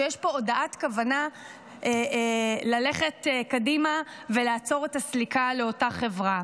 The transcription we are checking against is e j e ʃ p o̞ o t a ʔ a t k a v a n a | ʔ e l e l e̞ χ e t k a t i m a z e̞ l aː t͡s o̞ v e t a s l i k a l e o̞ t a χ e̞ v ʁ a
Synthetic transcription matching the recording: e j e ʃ p o̞ o d a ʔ a t k a v a n a | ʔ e l a l e̞ χ e t k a d i m a v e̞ l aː t͡s o̞ ʁ e t a s l i k a l e o̞ t a χ e̞ v ʁ a